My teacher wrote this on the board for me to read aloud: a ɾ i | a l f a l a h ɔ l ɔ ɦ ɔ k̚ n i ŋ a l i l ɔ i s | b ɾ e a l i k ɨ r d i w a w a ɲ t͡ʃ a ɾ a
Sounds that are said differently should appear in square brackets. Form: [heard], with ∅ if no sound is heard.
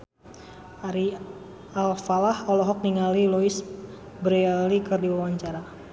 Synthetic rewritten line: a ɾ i | a l f a l a h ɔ l ɔ ɦ ɔ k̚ n i ŋ a l i l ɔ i s | b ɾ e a l i k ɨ r d i w a w a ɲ t͡ʃ a ɾ a